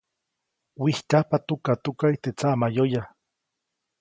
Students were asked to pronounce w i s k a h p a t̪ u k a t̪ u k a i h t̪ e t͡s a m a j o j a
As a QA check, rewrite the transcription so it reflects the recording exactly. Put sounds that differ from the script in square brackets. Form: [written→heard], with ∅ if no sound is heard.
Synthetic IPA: w i [s→h] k a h p a t̪ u k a t̪ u k a i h t̪ e t͡s a m a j o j a